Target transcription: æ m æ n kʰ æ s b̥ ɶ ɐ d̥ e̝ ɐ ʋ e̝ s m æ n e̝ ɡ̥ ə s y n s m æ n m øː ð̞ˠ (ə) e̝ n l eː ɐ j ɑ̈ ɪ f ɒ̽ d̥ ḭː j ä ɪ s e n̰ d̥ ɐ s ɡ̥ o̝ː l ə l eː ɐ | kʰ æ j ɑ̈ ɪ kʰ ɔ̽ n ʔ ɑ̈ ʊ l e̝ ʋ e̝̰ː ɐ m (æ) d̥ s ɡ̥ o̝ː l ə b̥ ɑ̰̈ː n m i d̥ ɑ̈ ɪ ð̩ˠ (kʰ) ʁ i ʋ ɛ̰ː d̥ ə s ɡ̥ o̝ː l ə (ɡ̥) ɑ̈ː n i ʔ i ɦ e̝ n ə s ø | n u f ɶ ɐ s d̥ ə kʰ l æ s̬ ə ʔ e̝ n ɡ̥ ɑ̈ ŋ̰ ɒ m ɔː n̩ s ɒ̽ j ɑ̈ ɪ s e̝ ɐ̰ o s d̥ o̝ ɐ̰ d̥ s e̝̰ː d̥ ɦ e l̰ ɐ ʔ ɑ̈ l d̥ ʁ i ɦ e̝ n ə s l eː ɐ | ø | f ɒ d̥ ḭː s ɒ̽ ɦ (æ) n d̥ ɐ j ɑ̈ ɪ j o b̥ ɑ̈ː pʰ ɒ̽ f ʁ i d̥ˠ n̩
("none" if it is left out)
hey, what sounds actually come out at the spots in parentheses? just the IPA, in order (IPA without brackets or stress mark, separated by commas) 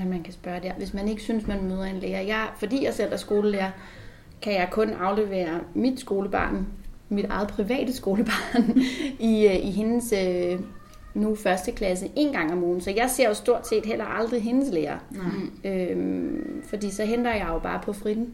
ɐ, i, pʰ, b̥, e